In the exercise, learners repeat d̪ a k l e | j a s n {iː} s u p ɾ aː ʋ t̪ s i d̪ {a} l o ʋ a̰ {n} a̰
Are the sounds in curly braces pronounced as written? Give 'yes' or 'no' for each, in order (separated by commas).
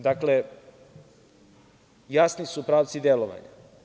no, no, no